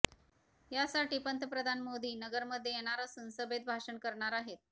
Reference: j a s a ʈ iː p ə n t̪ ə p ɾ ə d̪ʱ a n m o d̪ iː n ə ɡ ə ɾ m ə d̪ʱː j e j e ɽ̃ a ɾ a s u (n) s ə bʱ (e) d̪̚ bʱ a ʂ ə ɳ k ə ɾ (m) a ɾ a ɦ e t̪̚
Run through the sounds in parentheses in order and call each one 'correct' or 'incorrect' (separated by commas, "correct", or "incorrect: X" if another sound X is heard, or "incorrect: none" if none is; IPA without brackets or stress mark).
correct, correct, incorrect: ɳ